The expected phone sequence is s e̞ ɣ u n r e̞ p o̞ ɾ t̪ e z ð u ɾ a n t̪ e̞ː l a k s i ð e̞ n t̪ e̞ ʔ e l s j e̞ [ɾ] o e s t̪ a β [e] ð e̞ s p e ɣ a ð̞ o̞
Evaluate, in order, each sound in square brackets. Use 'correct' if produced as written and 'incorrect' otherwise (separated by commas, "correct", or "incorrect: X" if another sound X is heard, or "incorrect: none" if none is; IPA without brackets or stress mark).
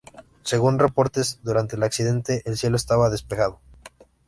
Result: incorrect: l, incorrect: a